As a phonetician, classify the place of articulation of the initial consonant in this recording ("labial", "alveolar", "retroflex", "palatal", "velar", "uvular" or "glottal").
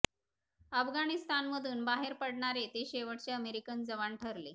labial